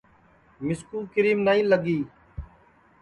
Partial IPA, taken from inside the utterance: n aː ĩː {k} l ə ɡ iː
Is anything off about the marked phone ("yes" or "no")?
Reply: yes